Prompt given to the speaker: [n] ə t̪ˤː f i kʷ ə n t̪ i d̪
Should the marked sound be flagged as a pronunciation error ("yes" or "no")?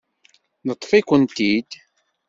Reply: no